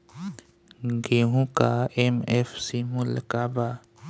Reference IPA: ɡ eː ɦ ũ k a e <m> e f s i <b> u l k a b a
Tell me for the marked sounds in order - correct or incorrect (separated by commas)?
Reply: correct, incorrect